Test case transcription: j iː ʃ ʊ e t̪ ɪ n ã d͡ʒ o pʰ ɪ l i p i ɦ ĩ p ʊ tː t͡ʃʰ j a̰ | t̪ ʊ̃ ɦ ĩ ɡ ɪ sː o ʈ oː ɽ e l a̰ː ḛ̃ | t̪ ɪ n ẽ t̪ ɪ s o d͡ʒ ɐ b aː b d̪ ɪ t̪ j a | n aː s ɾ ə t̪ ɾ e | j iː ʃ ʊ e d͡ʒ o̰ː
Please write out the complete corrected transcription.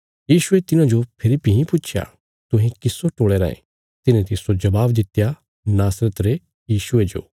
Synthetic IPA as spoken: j iː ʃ ʊ e t̪ ɪ n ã d͡ʒ o pʰ ɪ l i p i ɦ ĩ p ʊ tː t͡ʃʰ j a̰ | t̪ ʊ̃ ɦ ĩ k ɪ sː o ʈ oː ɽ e ɾ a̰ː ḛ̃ | t̪ ɪ n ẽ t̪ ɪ s o d͡ʒ ɐ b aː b d̪ ɪ t̪ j a | n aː s ɾ ə t̪ ɾ e | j iː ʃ ʊ e d͡ʒ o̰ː